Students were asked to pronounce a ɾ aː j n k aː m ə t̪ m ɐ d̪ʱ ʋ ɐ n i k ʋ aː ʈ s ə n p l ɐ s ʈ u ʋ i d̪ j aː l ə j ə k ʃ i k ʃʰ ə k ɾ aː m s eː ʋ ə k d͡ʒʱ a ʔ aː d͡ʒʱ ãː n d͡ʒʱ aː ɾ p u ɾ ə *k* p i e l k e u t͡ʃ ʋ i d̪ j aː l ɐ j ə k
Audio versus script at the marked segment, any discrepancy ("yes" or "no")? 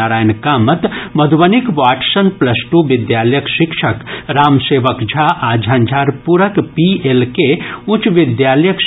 no